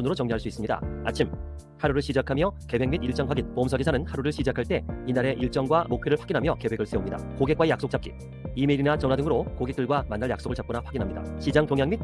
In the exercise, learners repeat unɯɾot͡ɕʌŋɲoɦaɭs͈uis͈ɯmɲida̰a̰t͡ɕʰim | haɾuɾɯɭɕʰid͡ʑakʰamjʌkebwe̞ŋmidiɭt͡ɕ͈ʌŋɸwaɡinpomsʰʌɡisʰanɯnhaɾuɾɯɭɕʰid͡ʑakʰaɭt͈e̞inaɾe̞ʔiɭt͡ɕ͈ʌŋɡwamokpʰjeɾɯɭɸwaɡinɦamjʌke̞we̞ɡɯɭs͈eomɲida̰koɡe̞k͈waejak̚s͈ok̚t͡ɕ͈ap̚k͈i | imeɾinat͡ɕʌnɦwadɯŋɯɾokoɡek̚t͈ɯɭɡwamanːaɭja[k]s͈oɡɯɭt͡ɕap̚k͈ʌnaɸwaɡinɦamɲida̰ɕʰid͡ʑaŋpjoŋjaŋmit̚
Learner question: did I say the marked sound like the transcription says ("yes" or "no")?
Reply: yes